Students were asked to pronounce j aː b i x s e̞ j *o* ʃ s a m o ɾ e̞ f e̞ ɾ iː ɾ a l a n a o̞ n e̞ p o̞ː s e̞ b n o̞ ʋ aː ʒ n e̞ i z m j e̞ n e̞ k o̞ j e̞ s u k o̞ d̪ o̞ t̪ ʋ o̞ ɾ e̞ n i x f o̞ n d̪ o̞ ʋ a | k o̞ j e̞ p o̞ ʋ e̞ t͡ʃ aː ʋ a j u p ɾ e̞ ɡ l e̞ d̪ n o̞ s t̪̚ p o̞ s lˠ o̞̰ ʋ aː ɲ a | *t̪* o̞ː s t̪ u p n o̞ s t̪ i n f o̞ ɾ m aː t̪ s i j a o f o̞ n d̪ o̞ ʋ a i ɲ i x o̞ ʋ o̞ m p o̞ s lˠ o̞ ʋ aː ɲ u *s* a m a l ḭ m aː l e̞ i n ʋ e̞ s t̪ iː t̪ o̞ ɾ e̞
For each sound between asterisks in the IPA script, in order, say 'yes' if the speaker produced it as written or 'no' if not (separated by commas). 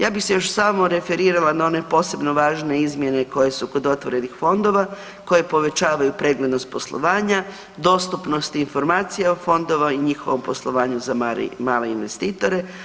yes, no, no